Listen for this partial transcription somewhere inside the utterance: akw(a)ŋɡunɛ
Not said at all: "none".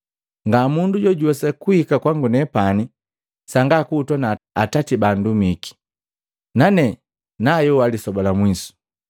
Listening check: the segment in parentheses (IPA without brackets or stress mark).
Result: a